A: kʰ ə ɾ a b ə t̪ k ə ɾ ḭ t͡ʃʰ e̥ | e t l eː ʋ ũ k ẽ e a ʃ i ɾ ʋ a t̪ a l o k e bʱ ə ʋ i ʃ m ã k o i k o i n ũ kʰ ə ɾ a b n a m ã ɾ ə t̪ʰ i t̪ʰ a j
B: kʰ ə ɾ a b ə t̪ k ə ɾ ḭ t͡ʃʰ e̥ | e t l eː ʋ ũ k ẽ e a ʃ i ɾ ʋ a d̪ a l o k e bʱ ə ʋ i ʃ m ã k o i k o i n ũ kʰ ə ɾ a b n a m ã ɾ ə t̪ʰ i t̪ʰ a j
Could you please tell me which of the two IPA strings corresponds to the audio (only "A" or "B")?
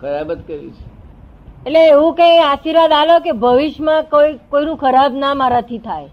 B